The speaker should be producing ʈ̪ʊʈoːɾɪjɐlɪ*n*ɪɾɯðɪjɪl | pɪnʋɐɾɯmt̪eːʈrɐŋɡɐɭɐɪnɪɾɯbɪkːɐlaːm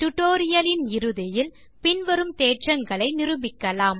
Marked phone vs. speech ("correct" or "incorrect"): correct